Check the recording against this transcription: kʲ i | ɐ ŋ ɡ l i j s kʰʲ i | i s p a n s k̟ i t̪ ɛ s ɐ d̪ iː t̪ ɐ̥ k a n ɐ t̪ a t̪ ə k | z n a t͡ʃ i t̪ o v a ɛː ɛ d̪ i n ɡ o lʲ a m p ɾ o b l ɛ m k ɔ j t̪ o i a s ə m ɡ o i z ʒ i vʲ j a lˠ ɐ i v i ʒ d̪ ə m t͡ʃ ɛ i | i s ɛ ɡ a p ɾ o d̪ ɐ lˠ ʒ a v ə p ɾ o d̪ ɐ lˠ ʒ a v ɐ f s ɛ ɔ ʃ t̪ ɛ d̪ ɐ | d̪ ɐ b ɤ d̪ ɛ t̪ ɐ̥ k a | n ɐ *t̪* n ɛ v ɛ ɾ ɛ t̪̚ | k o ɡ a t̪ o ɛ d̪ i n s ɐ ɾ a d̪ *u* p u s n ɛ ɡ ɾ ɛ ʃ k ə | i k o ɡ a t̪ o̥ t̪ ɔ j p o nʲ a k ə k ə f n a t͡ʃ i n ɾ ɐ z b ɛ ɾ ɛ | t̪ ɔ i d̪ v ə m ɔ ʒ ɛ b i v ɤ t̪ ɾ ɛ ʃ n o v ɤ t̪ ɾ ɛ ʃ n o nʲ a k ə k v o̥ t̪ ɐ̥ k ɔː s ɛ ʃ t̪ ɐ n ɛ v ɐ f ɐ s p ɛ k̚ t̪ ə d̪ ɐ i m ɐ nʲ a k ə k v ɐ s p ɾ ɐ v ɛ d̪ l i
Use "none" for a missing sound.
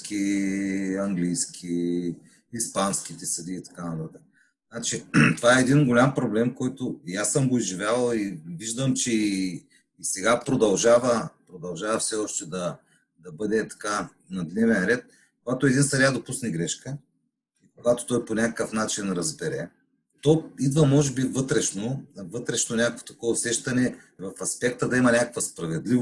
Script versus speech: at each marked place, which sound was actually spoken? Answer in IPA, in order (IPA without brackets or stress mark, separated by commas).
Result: d̪, o